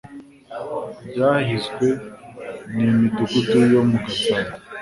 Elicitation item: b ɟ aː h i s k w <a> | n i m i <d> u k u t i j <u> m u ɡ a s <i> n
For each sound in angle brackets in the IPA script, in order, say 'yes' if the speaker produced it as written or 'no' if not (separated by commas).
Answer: no, no, no, no